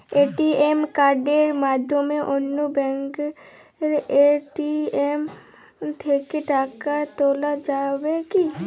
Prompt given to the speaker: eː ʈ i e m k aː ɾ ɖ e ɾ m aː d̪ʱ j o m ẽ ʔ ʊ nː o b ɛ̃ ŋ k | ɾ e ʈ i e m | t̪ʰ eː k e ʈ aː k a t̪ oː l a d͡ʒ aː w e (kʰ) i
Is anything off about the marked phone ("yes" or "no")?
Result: yes